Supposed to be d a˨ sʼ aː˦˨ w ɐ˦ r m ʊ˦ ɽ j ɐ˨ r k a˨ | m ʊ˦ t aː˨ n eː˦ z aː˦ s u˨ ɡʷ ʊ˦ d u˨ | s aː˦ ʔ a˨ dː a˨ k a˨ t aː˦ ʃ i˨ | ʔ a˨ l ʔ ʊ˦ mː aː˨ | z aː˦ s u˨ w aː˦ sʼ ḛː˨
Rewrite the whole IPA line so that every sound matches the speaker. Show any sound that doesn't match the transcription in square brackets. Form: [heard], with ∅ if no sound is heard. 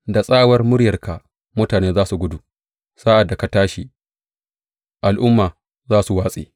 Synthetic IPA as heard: d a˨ sʼ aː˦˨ w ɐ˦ r m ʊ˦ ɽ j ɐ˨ r k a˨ | m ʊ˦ t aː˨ n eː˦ z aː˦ s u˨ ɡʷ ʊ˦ d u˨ | s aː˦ ʔ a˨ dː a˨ k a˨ t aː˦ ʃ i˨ | ʔ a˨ l ʔ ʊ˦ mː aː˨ | z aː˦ s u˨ w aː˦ sʼ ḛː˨